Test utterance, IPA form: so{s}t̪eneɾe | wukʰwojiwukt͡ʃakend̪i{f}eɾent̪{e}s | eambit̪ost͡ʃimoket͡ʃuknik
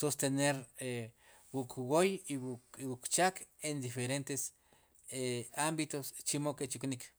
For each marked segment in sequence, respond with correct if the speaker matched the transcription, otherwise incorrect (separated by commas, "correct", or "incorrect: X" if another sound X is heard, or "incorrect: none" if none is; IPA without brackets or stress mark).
correct, correct, correct